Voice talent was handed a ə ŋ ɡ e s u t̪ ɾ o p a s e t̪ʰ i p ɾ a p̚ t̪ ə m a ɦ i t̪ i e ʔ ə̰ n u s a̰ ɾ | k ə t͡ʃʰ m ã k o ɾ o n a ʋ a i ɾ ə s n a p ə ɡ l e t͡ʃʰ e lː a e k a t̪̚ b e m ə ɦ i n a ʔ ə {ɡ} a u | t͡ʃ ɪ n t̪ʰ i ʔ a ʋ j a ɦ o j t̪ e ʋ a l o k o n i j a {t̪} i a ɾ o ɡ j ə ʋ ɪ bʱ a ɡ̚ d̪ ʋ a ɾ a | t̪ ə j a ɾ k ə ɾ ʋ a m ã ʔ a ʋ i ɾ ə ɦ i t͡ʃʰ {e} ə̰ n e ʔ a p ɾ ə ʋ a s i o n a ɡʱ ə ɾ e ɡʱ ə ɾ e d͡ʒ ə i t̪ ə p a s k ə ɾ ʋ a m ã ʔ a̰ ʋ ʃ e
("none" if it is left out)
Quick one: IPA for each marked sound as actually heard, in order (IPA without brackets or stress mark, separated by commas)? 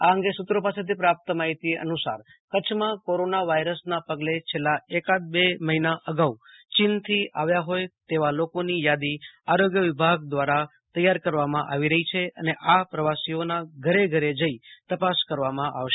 ɡ, d̪, e